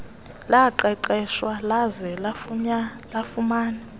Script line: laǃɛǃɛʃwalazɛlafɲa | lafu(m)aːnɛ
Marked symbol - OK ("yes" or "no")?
yes